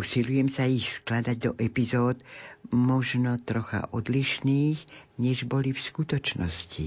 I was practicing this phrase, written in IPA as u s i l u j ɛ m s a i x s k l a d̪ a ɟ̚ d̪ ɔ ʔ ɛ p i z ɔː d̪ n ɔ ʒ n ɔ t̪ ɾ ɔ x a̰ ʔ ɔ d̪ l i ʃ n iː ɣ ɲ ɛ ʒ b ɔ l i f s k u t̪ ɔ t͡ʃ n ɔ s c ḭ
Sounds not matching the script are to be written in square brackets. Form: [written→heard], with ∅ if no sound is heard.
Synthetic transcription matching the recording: u s i l u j ɛ m s a i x s k l a d̪ a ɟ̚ d̪ ɔ ʔ ɛ p i z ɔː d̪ [n→m] ɔ ʒ n ɔ t̪ ɾ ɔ x a̰ ʔ ɔ d̪ l i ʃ n iː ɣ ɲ ɛ ʒ b ɔ l i f s k u t̪ ɔ t͡ʃ n ɔ s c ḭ